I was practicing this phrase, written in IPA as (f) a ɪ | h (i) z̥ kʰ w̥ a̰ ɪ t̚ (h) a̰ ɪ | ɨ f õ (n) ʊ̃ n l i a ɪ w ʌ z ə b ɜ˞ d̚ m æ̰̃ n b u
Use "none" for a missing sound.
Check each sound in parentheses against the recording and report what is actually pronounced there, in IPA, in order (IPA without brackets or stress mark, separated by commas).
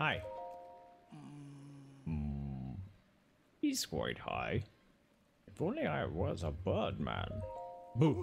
h, i, h, none